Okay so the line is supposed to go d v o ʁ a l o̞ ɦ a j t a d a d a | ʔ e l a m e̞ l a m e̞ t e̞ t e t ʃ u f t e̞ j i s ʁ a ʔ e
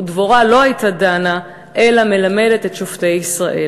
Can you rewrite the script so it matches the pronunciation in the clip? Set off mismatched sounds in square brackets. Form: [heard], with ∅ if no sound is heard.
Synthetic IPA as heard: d v o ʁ a l o̞ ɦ a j t a d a [n] a | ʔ e l a m e̞ l a m e̞ [d] e̞ t e t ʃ [o] f t e̞ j i s ʁ a ʔ e